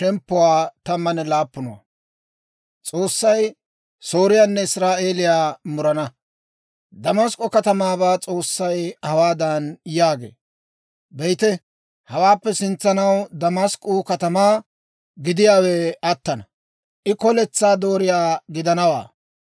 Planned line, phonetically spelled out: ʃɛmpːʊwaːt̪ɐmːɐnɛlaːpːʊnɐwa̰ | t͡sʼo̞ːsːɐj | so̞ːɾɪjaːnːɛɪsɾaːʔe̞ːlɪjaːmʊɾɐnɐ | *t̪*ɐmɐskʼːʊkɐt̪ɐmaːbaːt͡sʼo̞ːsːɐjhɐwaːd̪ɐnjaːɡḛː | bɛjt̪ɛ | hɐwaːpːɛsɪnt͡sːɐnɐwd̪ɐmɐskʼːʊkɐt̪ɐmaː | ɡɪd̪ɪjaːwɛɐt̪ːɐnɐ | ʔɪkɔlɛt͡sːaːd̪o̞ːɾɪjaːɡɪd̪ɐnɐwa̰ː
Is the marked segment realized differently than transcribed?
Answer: yes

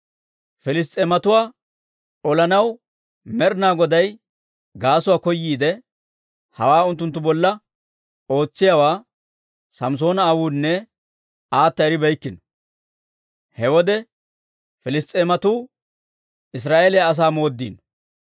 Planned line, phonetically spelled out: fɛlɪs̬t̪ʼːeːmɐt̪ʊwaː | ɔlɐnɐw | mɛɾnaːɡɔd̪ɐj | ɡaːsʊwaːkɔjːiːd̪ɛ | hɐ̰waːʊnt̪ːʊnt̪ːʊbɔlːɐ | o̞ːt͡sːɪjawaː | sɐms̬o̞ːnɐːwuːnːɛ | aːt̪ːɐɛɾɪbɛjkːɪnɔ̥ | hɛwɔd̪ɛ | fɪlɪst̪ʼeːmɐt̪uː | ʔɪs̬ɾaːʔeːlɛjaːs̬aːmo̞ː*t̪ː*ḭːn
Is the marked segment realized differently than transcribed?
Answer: yes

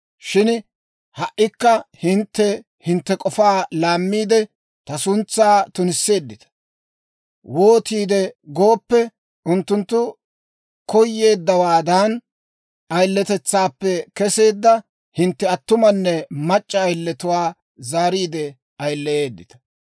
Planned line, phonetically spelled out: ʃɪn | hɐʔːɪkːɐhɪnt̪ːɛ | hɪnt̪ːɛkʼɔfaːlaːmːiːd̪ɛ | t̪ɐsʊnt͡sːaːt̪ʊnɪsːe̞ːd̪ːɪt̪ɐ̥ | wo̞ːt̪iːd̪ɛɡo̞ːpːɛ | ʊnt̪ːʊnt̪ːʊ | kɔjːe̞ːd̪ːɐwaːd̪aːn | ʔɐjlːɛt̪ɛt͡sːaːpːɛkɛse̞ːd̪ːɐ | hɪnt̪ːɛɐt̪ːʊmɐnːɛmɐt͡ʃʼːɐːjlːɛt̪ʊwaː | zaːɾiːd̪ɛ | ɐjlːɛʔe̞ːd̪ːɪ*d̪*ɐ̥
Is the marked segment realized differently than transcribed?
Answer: yes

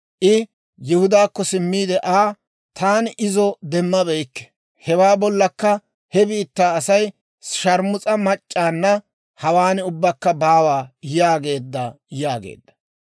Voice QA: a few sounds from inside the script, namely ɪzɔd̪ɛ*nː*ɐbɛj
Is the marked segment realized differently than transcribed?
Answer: yes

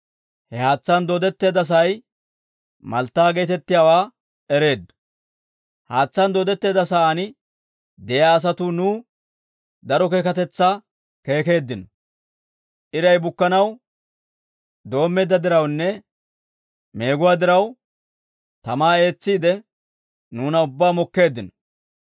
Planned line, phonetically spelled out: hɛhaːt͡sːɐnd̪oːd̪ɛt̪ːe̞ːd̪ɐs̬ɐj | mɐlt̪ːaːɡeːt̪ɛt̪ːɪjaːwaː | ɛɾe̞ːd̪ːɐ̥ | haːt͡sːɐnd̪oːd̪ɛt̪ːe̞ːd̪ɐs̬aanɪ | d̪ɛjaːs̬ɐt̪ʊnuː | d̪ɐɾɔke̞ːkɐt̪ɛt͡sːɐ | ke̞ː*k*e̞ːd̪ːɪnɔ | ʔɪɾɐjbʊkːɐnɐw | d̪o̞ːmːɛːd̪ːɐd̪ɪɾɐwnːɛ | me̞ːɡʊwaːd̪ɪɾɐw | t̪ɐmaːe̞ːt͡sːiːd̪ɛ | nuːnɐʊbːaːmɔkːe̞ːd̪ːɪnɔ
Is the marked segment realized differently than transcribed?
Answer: no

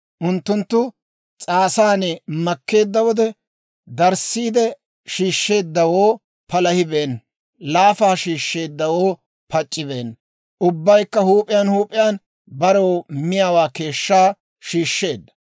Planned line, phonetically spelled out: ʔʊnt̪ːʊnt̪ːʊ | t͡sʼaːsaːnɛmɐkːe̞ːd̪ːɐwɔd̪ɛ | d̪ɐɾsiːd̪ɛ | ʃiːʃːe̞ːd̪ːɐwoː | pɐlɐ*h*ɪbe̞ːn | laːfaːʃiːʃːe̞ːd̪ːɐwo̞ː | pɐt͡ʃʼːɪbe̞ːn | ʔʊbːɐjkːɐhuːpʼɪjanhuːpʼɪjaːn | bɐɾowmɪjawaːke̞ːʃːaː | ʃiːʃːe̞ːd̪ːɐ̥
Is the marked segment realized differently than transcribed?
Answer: no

